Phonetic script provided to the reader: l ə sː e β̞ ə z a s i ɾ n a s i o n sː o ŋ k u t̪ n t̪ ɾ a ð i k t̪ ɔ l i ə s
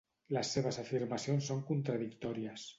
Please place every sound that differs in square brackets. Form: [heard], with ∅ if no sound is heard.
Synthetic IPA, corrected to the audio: l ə sː e β̞ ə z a [f] i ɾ [m] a s i o n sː o ŋ k u [∅] n t̪ ɾ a ð i k t̪ ɔ [ɾ] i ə s